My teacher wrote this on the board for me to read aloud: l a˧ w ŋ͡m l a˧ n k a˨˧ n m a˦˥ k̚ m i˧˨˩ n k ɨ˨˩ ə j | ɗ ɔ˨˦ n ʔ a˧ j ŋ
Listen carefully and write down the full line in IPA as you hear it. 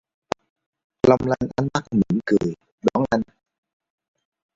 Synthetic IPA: l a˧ w ŋ͡m l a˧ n ʔ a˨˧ n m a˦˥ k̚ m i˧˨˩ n k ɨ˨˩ ə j | ɗ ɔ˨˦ n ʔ a˧ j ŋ